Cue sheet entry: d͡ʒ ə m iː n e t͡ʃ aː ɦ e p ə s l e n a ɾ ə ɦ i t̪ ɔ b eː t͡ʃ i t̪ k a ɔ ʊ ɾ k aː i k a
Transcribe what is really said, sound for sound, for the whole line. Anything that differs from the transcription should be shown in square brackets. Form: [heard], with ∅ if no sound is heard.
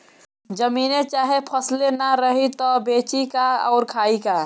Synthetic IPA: d͡ʒ ə m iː n e t͡ʃ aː ɦ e [pʰ] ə s l e n a ɾ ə ɦ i t̪ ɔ b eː t͡ʃ i [∅] k a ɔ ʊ ɾ [kʰ] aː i k a